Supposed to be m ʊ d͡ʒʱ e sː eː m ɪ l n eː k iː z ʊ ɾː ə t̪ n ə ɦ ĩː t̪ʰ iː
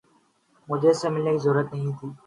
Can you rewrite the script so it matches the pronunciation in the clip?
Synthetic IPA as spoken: m ʊ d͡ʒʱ e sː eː m ɪ l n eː k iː z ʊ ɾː ə t̪ n ə ɦ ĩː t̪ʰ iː